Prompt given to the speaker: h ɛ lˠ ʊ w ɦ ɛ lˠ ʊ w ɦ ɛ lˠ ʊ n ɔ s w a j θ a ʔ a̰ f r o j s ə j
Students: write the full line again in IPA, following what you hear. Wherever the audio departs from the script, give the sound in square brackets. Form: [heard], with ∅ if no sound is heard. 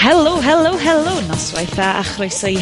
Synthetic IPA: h ɛ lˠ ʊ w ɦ ɛ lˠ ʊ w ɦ ɛ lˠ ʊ n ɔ s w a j θ a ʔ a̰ [χ] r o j s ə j